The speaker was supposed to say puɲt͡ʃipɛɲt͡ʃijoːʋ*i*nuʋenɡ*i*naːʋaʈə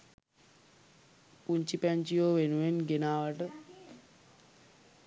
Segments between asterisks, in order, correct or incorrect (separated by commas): incorrect, incorrect